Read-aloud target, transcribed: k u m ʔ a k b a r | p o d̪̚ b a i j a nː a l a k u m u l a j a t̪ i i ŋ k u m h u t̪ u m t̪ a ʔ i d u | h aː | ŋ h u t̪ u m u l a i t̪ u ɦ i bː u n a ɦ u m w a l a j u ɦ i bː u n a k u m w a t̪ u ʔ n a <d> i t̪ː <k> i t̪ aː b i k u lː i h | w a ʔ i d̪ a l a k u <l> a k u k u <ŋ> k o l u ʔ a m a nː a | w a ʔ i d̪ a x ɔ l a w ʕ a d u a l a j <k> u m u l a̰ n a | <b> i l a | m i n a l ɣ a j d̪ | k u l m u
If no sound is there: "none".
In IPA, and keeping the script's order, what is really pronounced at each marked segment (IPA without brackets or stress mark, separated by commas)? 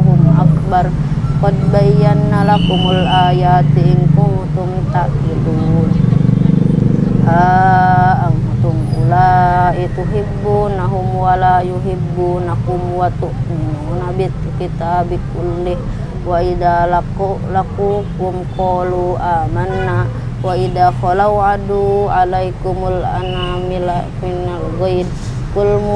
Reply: b, k, l, m, k, m